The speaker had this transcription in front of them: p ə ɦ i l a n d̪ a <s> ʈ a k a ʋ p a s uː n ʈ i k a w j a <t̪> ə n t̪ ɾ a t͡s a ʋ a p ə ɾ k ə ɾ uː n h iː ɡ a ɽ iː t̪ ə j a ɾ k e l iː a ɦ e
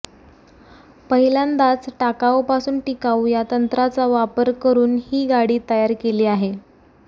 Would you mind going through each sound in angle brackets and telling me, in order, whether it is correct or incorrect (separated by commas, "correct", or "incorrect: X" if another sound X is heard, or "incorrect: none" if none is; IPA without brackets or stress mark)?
incorrect: t͡s, correct